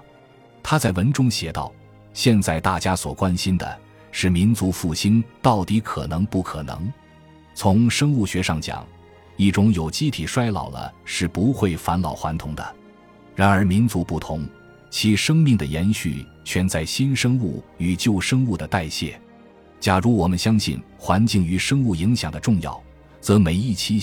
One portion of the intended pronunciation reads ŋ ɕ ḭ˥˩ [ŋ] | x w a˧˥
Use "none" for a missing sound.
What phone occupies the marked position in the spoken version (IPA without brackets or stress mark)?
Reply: n